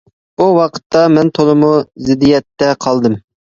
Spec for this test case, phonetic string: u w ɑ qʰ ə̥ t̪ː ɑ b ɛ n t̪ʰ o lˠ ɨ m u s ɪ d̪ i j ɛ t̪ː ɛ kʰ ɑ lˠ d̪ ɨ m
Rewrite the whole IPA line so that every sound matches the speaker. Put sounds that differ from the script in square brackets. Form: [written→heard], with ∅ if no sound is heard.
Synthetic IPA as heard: u w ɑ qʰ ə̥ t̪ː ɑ [b→m] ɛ n t̪ʰ o lˠ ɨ m u [s→z] ɪ d̪ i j ɛ t̪ː ɛ [kʰ→qʰ] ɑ lˠ d̪ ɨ m